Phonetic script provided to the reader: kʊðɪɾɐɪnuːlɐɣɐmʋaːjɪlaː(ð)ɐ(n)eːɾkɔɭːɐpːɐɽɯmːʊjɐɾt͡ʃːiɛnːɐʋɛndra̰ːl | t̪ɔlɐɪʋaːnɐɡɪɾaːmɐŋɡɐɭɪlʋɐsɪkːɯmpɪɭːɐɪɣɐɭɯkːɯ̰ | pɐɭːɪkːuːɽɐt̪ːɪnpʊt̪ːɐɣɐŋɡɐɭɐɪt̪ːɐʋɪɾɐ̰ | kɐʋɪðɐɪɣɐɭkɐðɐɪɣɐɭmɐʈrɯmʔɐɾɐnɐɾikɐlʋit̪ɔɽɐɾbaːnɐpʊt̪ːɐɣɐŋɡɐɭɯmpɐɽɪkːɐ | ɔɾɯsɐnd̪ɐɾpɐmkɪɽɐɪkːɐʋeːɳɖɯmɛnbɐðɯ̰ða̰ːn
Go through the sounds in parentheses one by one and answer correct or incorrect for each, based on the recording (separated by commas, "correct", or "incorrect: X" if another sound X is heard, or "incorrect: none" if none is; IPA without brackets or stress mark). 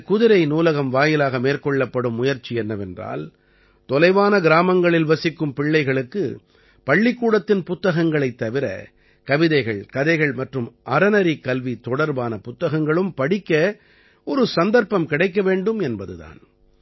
incorrect: ɣ, incorrect: m